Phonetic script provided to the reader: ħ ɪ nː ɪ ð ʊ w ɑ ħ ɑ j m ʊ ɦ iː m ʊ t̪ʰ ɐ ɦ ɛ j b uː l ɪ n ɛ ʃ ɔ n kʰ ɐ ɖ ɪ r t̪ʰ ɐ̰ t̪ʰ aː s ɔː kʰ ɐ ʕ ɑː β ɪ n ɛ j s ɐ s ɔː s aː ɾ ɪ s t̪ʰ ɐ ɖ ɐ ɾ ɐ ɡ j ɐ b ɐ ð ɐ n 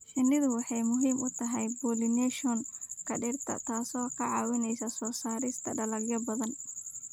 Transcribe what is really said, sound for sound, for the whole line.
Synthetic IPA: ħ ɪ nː ɪ ð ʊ w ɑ ħ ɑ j m ʊ ɦ iː m ʊ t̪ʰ ɐ ɦ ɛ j b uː l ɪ n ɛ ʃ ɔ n kʰ ɐ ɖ ɪ r t̪ʰ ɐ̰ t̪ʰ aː s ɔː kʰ ɐ ʕ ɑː w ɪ n ɛ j s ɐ s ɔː s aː ɾ ɪ s t̪ʰ ɐ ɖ ɐ l ɐ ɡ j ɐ b ɐ ð ɐ n